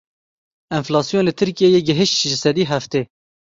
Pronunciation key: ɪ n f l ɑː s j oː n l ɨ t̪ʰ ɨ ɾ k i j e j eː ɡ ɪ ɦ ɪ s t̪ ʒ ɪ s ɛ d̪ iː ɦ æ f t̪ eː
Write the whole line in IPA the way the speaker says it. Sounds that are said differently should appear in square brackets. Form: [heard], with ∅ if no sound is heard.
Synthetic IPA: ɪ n f l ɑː s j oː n l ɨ t̪ʰ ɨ ɾ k i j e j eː ɡ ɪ ɦ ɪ [ʃ] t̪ ʒ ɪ s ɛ d̪ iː ɦ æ f t̪ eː